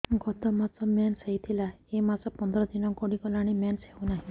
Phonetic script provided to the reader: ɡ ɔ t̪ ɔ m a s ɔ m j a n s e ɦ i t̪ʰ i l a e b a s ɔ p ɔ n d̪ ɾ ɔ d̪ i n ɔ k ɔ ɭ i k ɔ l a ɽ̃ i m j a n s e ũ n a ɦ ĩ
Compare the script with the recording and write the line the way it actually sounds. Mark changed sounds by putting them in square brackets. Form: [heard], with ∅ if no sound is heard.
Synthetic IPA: ɡ ɔ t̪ ɔ m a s ɔ m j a n s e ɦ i t̪ʰ i l a e [m] a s ɔ p ɔ n d̪ ɾ ɔ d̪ i n ɔ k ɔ [ɽ] i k ɔ l a ɽ̃ i m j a n s e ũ n a ɦ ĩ